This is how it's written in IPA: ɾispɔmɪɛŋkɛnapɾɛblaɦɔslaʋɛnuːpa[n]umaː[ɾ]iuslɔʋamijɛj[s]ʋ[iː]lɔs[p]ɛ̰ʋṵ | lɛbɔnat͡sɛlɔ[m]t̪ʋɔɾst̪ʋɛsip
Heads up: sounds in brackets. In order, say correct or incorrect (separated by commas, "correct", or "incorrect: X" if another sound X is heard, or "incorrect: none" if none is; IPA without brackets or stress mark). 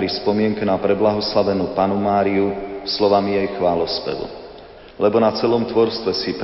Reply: correct, correct, incorrect: x, incorrect: aː, correct, correct